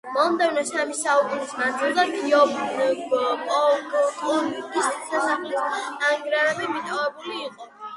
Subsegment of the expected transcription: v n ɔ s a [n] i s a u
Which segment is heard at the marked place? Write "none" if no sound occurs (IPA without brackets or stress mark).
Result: m